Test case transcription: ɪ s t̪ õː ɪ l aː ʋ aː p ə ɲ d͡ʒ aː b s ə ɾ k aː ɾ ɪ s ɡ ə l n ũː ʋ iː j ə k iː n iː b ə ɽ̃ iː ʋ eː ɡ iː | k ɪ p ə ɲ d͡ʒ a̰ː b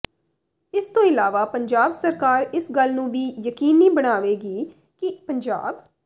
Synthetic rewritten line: ɪ s t̪ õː ɪ l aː ʋ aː p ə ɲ d͡ʒ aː b s ə ɾ k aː ɾ ɪ s ɡ ə l n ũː ʋ iː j ə k iː n iː b ə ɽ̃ aː ʋ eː ɡ iː | k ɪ p ə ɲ d͡ʒ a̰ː b